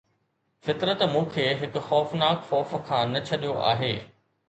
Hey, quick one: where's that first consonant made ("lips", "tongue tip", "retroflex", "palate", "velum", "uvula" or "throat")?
lips